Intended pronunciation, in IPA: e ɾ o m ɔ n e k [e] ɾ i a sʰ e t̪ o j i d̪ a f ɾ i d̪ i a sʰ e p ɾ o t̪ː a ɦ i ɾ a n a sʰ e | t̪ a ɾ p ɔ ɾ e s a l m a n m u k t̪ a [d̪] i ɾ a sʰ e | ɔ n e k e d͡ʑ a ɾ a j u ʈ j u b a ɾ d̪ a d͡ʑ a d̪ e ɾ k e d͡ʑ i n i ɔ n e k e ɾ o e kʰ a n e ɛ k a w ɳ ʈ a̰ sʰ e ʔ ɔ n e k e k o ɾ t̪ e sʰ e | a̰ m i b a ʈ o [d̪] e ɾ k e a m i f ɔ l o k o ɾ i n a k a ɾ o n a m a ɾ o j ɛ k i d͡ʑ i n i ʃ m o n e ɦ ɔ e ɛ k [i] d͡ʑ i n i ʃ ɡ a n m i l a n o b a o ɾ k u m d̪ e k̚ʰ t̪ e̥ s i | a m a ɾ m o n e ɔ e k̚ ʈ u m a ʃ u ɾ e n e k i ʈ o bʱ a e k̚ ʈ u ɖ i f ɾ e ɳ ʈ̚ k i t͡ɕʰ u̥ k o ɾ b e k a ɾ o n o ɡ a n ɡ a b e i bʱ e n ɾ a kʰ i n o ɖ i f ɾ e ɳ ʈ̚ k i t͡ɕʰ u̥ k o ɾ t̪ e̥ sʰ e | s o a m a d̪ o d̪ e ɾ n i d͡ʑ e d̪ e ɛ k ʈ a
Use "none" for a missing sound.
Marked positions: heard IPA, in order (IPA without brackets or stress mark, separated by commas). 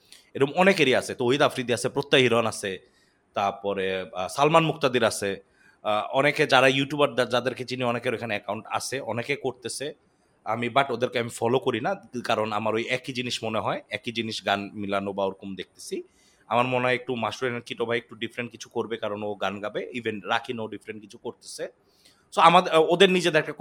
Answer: e, d̪, d̪, i